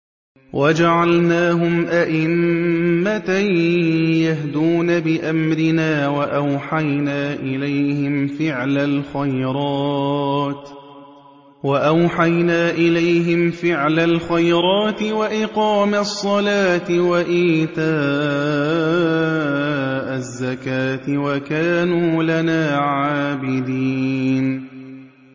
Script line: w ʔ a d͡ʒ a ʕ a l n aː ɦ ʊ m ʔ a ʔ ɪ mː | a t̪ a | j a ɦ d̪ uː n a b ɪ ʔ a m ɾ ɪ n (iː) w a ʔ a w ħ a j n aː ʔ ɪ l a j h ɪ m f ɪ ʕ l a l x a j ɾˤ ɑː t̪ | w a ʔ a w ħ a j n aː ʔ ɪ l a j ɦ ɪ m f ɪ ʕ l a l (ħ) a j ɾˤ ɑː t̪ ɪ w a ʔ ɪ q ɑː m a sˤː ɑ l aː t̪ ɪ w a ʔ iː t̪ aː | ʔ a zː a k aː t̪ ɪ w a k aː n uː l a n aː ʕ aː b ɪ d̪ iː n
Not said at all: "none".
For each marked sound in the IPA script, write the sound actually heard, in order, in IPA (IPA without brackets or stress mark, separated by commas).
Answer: aː, x